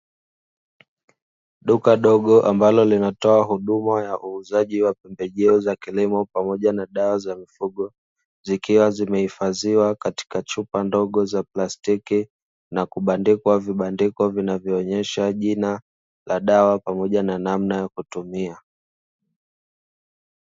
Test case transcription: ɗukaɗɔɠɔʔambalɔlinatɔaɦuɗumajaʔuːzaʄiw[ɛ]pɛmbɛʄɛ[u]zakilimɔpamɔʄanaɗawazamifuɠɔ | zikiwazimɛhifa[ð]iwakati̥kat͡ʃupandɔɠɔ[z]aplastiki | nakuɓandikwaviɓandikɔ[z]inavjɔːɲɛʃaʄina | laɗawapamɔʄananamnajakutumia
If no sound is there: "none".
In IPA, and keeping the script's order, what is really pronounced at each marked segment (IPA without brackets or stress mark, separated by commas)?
a, ɔ, z, z, v